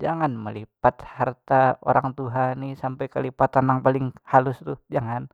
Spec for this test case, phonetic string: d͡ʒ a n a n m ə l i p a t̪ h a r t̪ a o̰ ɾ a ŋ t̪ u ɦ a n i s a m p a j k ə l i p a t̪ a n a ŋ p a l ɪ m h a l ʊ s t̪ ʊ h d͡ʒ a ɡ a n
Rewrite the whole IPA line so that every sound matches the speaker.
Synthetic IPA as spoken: d͡ʒ a ŋ a n m ə l i p a t̪ h a r t̪ a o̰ ɾ a ŋ t̪ u ɦ a n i s a m p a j k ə l i p a t̪ a n a ŋ p a l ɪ ŋ h a l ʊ s t̪ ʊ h d͡ʒ a ŋ a n